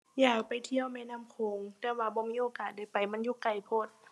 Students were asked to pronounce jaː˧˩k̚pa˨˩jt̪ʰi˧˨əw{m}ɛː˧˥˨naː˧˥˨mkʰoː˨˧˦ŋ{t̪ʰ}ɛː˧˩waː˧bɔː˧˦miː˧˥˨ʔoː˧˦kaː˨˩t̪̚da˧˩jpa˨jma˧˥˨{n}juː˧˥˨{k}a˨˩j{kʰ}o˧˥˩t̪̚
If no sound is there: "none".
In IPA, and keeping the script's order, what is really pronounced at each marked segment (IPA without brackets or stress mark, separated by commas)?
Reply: m, t̪, n, k, pʰ